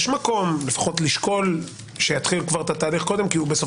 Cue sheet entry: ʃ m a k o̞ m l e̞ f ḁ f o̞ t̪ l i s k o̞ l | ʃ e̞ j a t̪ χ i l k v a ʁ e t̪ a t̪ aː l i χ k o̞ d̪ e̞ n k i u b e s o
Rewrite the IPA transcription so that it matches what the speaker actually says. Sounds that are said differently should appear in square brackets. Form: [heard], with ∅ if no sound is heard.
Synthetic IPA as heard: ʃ m a k o̞ m l e̞ f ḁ [χ] o̞ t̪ l i [ʃ] k o̞ l | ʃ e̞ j a t̪ χ i l k v a ʁ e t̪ a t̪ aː l i χ k o̞ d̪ e̞ [m] k i u b e s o